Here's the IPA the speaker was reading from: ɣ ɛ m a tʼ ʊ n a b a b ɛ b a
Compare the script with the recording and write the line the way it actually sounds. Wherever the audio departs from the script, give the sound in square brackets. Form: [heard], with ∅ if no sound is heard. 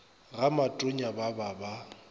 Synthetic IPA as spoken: ɣ [a] m a tʼ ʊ [ɲ] a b a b [a] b a